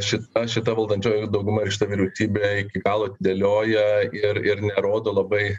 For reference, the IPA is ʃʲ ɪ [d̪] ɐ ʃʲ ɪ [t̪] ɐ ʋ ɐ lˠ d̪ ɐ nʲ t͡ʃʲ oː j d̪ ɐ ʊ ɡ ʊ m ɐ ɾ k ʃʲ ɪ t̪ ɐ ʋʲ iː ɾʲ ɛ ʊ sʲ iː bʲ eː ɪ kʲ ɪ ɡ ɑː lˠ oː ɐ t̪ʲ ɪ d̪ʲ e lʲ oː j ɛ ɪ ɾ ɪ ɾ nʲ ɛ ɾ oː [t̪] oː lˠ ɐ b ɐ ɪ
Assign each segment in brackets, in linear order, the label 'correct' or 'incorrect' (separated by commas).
incorrect, correct, incorrect